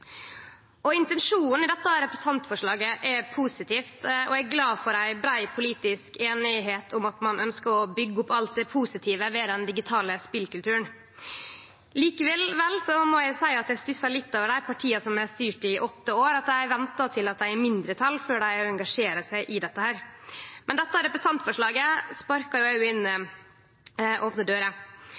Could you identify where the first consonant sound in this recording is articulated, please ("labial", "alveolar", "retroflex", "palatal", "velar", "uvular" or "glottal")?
alveolar